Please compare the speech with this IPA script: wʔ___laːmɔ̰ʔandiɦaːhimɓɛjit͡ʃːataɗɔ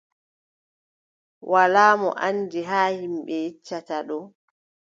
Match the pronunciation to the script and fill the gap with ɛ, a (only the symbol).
a